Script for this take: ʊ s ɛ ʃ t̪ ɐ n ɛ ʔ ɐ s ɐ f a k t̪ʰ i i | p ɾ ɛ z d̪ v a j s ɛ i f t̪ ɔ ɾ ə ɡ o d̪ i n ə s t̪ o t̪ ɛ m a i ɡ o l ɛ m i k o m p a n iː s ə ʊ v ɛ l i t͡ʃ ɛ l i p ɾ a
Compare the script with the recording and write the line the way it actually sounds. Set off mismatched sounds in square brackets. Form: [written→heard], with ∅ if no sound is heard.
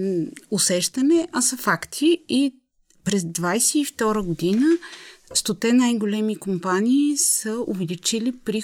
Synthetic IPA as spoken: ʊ s ɛ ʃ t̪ ɐ n ɛ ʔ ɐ s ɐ f a k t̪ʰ i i | p ɾ ɛ z d̪ v a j s ɛ i f t̪ ɔ ɾ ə ɡ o d̪ i n ə s t̪ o t̪ ɛ [m→n] a [i→j] ɡ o l ɛ m i k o m p a n iː s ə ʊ v ɛ l i t͡ʃ [ɛ→i] l i p ɾ [a→i]